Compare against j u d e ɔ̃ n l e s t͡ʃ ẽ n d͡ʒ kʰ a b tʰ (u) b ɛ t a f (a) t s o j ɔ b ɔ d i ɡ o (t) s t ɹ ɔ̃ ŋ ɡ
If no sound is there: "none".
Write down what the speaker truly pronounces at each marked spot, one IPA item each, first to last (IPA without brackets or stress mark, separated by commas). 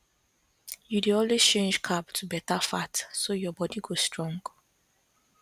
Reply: u, a, none